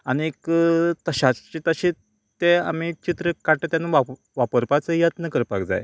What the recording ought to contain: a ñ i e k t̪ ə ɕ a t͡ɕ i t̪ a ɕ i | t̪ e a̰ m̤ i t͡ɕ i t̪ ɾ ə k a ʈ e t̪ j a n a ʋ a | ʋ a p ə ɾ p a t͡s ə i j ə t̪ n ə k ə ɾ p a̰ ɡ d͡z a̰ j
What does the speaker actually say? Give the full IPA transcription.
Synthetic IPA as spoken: a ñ i e k t̪ ə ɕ a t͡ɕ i t̪ ə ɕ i | t̪ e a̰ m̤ i t͡ɕ i t̪ ɾ ə k a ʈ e t̪ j a n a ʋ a | ʋ a p ə ɾ p a t͡s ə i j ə t̪ n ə k ə ɾ p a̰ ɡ d͡z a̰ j